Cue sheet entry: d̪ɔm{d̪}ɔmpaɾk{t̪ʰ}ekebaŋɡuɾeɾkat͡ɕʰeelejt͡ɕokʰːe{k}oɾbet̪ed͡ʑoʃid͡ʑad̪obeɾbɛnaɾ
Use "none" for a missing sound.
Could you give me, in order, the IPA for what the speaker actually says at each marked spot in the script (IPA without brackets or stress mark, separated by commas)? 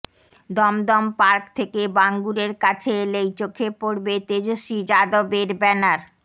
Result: d̪, t̪ʰ, p